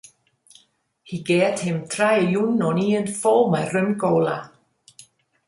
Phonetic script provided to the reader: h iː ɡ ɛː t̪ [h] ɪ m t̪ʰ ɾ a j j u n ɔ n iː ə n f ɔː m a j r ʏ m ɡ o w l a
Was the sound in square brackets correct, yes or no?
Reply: yes